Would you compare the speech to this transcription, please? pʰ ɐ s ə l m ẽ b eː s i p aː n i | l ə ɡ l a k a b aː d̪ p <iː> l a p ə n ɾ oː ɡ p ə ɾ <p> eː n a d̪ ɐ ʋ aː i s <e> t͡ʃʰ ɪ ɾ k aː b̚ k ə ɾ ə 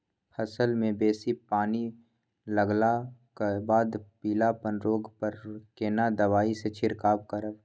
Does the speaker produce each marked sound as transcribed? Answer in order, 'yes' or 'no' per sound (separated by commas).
yes, no, yes